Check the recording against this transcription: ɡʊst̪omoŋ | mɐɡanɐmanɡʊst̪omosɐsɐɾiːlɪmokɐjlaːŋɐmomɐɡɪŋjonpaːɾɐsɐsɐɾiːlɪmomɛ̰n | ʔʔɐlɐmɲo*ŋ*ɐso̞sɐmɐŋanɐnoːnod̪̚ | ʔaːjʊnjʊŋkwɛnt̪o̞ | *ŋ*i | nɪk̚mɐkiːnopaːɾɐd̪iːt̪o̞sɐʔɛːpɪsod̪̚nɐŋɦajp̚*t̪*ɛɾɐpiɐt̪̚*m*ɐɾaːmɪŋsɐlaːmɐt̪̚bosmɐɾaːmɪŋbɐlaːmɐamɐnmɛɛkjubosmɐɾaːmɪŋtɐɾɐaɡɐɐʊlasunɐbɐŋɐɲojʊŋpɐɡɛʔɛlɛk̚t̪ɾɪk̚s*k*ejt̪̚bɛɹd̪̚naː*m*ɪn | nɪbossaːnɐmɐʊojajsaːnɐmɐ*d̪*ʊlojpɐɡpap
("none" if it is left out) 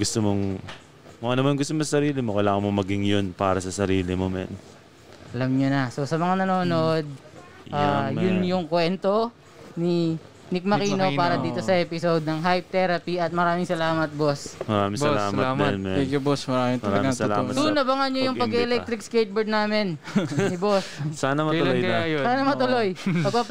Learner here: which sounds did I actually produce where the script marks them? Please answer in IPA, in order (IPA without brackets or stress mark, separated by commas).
n, n, t̪, m, k, m, t̪